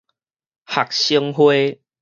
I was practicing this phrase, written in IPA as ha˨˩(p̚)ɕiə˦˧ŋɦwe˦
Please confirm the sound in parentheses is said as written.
no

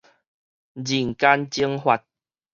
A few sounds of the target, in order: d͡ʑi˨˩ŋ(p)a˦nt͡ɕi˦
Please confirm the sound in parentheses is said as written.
no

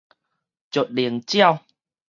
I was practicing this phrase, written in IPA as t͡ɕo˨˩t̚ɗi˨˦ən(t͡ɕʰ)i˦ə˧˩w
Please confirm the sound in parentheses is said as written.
no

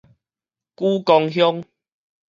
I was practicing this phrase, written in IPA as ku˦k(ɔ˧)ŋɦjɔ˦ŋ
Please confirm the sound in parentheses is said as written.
yes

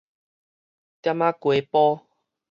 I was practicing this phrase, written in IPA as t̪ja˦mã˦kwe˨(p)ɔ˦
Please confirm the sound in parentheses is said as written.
yes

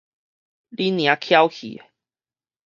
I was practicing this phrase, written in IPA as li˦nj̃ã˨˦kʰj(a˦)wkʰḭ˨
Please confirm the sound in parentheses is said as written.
yes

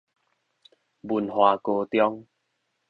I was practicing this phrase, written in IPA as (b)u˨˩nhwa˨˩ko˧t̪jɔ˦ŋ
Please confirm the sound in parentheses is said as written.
yes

